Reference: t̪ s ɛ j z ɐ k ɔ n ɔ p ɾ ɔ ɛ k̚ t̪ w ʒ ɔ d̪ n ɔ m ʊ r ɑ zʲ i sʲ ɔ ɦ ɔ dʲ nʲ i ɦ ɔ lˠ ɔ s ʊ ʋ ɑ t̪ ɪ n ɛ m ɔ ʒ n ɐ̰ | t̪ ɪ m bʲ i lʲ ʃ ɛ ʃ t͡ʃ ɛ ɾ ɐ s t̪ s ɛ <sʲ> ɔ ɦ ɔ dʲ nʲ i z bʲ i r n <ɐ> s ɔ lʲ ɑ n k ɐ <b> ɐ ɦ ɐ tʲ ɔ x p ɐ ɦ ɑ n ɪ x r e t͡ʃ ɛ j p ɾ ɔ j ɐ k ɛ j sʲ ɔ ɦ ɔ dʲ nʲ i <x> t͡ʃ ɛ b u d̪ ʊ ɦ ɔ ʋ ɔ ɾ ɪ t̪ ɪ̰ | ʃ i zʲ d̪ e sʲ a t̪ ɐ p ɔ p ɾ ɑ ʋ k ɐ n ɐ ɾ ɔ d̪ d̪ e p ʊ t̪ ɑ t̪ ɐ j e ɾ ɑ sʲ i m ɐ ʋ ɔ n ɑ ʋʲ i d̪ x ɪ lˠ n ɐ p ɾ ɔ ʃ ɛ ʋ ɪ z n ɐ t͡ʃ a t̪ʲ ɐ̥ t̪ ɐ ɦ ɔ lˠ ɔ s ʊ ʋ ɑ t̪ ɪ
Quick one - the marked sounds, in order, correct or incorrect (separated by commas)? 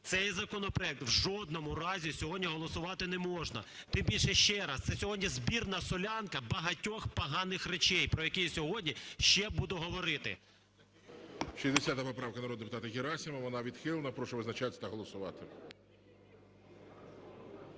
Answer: correct, correct, correct, incorrect